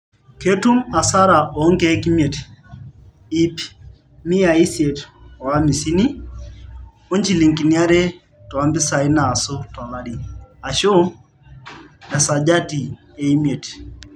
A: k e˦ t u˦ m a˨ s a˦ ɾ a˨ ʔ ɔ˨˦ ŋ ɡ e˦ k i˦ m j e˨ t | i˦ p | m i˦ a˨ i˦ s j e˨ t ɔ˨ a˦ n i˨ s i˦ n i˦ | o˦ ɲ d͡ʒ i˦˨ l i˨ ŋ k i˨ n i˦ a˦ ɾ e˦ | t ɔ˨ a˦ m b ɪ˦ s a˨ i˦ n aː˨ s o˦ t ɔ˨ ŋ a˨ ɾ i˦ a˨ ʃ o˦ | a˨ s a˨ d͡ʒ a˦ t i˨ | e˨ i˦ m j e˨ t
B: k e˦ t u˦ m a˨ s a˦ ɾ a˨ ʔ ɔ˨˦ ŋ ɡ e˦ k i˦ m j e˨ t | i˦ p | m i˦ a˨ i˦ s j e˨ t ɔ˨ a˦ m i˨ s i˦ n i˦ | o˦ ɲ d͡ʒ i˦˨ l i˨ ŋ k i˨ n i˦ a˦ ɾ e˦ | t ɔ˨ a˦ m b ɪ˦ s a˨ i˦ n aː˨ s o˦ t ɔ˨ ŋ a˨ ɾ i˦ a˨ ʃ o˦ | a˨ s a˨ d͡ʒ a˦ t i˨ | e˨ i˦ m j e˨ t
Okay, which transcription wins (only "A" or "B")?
B